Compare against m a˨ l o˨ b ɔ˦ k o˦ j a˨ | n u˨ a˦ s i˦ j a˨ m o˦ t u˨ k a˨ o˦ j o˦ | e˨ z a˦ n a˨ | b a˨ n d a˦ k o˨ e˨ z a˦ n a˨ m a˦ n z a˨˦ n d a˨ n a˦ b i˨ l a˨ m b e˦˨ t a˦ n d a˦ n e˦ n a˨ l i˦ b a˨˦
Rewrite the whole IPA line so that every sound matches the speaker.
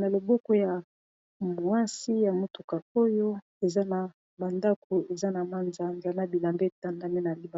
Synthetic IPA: n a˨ l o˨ b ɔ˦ k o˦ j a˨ | m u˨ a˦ s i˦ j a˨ m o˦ t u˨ k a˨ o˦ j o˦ | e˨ z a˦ n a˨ | b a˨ n d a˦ k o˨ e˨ z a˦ n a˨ m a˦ n z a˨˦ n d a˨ n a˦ b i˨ l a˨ m b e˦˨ t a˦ n d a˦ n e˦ n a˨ l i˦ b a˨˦